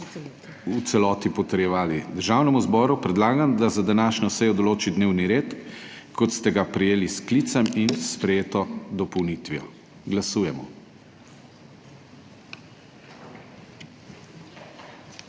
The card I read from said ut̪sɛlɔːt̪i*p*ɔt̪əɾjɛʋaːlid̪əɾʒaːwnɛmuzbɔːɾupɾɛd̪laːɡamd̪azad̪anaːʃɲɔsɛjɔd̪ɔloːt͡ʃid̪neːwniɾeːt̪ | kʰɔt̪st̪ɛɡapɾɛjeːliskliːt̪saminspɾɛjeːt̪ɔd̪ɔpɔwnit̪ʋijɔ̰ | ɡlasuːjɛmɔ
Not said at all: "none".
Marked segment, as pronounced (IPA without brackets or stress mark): p